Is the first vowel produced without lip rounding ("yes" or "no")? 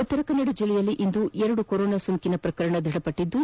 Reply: no